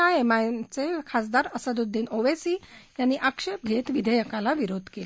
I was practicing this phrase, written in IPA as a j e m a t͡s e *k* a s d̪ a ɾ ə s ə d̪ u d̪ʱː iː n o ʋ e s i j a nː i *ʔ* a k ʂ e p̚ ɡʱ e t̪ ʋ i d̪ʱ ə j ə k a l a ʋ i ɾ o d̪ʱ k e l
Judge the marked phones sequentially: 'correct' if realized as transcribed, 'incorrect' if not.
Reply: incorrect: kʰ, correct

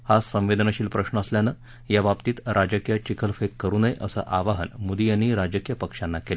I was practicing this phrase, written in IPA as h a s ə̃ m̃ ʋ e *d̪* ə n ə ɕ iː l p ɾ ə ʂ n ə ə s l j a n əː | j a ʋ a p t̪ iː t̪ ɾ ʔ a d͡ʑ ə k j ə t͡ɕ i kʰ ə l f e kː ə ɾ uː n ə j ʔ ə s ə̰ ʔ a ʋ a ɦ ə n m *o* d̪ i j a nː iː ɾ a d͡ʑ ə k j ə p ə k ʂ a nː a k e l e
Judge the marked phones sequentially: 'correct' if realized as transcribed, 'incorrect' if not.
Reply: correct, incorrect: u

